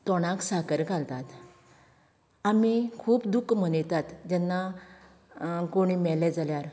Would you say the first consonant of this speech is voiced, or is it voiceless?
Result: voiceless